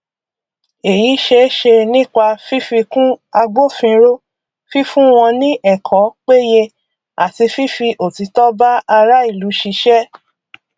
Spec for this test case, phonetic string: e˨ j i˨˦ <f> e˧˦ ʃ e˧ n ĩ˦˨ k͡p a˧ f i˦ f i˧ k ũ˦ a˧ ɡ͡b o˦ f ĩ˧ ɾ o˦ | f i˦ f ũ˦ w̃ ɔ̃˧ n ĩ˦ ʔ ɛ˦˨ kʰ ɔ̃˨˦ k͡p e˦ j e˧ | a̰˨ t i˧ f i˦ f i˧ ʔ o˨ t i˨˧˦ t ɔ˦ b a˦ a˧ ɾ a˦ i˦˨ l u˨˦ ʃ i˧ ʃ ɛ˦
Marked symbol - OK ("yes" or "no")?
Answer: no